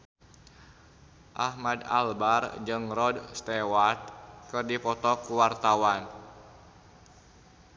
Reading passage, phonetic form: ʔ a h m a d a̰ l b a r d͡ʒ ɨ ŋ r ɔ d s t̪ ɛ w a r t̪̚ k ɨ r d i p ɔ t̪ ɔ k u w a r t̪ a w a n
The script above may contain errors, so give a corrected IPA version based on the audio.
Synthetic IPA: ʔ a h m a d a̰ l b a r d͡ʒ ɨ ŋ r ɔ d s t̪ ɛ w a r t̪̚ k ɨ r d i p ɔ t̪ ɔ k u w a r t̪ a w a n